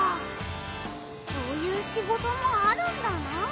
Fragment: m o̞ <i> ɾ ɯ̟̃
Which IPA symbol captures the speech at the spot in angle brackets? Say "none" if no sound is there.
a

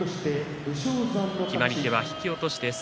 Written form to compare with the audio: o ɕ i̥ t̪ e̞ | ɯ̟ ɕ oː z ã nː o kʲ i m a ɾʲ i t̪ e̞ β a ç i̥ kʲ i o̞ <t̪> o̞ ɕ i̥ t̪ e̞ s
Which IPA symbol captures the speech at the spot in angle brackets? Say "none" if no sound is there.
t̪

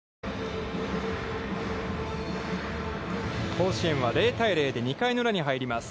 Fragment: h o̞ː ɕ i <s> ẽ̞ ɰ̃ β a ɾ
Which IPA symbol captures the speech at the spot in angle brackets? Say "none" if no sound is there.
none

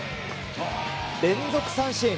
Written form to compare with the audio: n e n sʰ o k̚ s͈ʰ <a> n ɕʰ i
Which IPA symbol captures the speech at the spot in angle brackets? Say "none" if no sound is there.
a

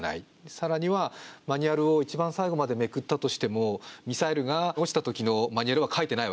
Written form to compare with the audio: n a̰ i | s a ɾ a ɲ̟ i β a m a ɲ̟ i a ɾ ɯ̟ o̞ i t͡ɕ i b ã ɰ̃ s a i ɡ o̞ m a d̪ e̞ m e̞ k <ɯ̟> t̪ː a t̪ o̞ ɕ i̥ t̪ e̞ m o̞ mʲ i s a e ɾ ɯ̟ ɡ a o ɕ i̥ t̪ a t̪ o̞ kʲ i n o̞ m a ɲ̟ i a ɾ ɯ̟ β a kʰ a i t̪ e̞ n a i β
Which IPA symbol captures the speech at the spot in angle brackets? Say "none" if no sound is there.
ɯ̟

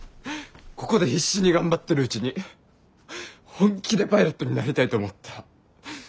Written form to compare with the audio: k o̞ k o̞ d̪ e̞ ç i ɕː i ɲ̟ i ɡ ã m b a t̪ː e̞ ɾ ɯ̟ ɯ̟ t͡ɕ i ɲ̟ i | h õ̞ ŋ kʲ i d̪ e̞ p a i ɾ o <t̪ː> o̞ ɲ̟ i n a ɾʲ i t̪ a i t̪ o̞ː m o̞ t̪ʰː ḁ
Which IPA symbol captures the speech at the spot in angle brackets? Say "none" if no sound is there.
t̪ː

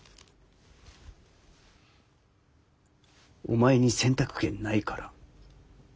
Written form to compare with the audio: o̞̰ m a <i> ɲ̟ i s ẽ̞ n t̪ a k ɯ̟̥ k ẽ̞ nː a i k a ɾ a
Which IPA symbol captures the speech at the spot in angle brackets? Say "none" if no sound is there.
e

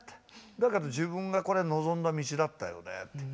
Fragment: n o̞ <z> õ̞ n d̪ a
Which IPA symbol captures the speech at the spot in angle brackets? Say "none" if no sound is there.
z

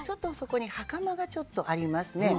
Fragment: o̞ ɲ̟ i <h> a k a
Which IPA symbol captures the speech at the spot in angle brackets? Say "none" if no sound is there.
h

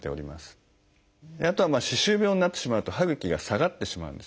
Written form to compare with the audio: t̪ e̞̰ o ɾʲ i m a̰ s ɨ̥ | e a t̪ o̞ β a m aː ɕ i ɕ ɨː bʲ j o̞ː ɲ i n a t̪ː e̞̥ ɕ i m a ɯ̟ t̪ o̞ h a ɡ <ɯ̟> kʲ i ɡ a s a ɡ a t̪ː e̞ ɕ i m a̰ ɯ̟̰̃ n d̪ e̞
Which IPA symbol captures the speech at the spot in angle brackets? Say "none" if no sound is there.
ɯ̟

